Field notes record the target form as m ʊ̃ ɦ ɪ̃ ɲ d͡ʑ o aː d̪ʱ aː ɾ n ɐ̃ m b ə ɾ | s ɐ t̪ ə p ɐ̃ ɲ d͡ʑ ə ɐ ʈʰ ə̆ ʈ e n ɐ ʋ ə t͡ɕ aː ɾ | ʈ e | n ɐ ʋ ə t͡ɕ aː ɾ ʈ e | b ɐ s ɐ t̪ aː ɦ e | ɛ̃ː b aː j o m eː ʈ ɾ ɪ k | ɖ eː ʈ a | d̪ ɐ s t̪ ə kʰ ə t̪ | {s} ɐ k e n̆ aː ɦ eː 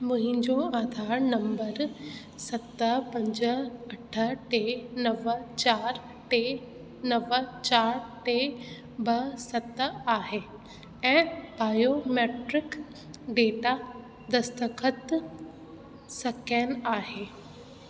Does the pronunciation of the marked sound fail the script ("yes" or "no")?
no